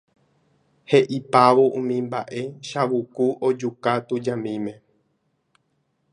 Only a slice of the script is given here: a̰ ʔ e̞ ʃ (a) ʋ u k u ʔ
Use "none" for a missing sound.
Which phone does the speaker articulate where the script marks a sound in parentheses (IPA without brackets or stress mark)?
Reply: a